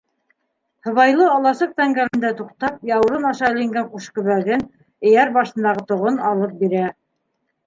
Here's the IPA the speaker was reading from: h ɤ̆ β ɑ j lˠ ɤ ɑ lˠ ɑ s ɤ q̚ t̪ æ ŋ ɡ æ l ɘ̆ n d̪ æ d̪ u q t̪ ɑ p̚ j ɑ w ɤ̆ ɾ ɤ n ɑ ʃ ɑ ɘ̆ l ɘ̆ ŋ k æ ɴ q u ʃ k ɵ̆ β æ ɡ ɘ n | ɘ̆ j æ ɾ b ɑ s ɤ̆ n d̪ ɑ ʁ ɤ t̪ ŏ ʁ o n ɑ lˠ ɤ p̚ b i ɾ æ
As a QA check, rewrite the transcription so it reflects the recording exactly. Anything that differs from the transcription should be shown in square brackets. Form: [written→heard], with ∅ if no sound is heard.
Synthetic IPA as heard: h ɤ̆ β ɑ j lˠ ɤ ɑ lˠ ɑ s ɤ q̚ t̪ æ ŋ ɡ æ l ɘ̆ n d̪ æ [d̪→t̪] u q t̪ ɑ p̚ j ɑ w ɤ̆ ɾ ɤ n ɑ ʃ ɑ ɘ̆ l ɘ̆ ŋ [k→ɡ] æ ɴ q u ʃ k ɵ̆ β æ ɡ ɘ n | ɘ̆ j æ ɾ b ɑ [s→ʃ] ɤ̆ n d̪ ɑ ʁ ɤ t̪ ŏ ʁ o n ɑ lˠ ɤ p̚ b i ɾ æ

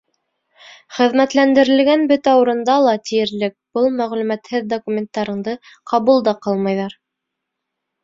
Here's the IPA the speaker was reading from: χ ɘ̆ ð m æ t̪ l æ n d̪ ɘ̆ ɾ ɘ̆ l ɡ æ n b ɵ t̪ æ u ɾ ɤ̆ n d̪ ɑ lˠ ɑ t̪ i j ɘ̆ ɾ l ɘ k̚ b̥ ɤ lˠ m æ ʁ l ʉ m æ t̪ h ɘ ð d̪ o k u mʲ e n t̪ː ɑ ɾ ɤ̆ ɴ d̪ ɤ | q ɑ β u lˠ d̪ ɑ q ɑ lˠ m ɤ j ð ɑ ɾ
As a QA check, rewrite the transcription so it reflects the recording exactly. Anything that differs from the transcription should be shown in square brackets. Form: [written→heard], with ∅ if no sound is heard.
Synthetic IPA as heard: χ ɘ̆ ð m æ t̪ l æ n d̪ ɘ̆ ɾ ɘ̆ l ɡ æ n b ɵ t̪ æ u ɾ ɤ̆ n d̪ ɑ lˠ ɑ t̪ i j ɘ̆ ɾ l ɘ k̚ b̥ ɤ lˠ m æ ʁ l ʉ m æ t̪ h ɘ ð d̪ o k u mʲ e n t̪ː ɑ ɾ ɤ̆ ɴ d̪ ɤ | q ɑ β u lˠ d̪ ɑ q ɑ lˠ m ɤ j ð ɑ ɾ

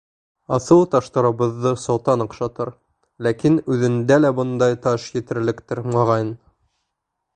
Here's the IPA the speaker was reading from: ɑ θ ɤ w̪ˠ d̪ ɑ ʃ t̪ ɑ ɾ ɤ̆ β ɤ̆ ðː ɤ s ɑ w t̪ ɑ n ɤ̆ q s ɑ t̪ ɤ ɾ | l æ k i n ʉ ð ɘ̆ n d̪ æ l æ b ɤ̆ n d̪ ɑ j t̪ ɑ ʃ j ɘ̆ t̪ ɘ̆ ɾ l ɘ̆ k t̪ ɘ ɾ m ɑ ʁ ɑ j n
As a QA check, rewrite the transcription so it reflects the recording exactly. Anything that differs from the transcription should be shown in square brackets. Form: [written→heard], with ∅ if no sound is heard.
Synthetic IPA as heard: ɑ θ ɤ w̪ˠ [d̪→t̪] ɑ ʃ t̪ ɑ ɾ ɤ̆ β ɤ̆ ðː ɤ s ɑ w t̪ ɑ n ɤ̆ q [s→ʃ] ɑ t̪ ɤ ɾ | l æ k i n ʉ ð ɘ̆ n d̪ æ l æ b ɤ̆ n d̪ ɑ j t̪ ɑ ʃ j ɘ̆ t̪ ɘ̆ ɾ l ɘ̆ k t̪ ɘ ɾ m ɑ ʁ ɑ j n

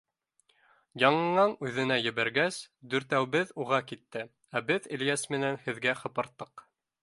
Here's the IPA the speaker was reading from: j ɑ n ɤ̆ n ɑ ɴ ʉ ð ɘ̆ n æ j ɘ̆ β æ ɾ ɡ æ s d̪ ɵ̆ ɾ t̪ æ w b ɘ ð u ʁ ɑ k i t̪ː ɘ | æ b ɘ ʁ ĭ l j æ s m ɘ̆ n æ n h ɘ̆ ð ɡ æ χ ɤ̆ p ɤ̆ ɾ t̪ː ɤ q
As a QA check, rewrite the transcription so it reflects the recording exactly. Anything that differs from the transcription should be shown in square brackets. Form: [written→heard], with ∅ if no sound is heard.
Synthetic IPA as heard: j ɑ [n→ɴ] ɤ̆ [n→ɴ] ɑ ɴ ʉ ð ɘ̆ n æ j ɘ̆ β æ ɾ ɡ æ s d̪ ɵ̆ ɾ t̪ æ w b ɘ ð u ʁ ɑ k i t̪ː ɘ | æ b ɘ [ʁ→ð] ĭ l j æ s m ɘ̆ n æ n h ɘ̆ ð ɡ æ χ ɤ̆ p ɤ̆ ɾ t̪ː ɤ q

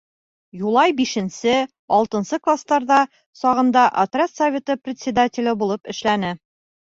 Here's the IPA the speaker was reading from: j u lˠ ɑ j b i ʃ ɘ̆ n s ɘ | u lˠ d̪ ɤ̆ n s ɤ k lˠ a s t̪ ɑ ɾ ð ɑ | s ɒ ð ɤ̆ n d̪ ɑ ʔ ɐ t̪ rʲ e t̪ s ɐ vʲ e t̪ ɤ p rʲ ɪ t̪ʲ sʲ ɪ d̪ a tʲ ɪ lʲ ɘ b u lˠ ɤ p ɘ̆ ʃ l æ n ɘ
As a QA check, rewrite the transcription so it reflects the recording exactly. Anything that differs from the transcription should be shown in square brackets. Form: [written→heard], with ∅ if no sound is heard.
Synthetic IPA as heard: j u lˠ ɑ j b i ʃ ɘ̆ n s ɘ | [u→ɒ] lˠ [d̪→t̪] ɤ̆ n s ɤ k lˠ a s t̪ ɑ ɾ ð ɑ | s ɒ [ð→ʁ] ɤ̆ n d̪ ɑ ʔ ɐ t̪ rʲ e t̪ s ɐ vʲ e t̪ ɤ p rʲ ɪ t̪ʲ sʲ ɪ d̪ a tʲ ɪ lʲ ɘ b u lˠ ɤ p ɘ̆ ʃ l æ n ɘ

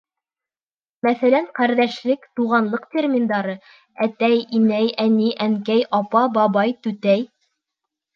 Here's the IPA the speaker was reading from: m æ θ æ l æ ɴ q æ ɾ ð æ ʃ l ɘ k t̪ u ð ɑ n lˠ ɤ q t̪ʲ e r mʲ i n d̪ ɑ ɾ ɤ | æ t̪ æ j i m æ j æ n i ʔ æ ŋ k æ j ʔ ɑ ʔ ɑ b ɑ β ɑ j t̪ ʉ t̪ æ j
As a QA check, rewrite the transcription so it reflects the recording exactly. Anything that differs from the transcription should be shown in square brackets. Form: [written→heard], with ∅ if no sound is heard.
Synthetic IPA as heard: m æ θ æ l æ ɴ q æ ɾ ð æ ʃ l ɘ k t̪ u [ð→ʁ] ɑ n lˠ ɤ q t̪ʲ e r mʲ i n d̪ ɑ ɾ ɤ | æ t̪ æ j i m æ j æ n i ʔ æ ŋ k æ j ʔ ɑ [ʔ→p] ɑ b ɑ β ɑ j t̪ ʉ t̪ æ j

